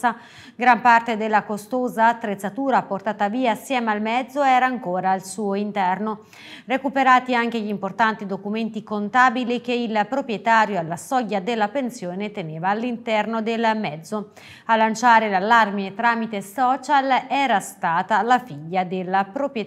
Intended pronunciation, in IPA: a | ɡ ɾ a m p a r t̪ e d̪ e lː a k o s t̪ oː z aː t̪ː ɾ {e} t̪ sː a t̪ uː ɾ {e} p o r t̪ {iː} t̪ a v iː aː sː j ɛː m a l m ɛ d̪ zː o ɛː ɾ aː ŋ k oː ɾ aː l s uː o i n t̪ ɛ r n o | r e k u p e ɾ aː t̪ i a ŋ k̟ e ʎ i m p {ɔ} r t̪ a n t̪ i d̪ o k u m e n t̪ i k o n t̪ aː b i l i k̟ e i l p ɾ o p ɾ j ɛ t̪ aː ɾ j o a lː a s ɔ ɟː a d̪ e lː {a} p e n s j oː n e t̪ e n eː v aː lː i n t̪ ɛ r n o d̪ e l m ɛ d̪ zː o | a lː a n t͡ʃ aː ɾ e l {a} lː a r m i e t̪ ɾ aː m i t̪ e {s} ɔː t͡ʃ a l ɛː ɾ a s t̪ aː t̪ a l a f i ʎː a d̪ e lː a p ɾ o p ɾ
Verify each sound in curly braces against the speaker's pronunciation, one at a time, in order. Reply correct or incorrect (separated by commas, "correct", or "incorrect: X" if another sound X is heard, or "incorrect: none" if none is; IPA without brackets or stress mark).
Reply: correct, incorrect: a, incorrect: aː, incorrect: o, correct, correct, correct